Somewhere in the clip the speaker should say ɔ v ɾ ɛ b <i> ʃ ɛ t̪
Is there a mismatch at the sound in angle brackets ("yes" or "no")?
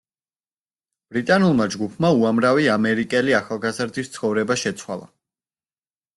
yes